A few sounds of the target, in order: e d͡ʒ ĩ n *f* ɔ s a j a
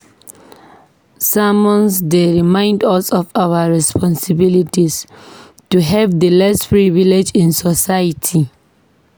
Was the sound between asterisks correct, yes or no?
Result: no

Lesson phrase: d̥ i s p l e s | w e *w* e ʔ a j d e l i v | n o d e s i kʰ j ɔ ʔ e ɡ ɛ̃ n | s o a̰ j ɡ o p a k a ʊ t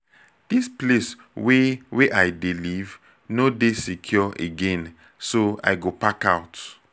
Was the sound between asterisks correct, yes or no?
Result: yes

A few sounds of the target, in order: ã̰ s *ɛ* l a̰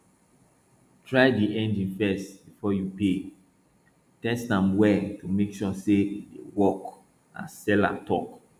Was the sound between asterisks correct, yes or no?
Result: yes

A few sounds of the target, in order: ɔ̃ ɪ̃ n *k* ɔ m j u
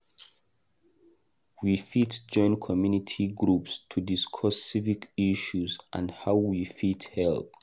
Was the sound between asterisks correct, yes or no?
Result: no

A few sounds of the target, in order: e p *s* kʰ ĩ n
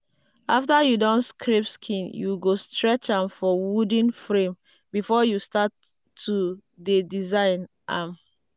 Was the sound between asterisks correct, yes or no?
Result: yes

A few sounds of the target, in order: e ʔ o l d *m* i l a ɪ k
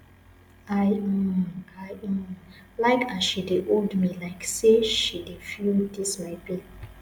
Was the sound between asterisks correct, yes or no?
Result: yes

